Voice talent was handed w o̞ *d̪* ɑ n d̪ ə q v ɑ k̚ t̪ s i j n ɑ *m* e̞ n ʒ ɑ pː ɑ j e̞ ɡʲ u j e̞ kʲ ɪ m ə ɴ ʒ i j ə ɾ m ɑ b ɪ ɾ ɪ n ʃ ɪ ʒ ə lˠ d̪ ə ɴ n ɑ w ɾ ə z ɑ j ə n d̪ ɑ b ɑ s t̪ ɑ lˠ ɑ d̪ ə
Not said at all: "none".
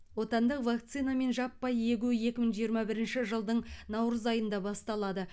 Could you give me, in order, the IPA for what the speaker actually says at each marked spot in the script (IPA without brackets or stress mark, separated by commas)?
t̪, m